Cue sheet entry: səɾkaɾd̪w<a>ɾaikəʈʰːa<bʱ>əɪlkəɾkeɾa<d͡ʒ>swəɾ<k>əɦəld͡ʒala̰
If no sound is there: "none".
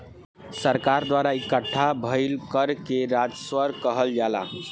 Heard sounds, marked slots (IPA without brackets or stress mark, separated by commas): a, bʱ, d͡ʒ, k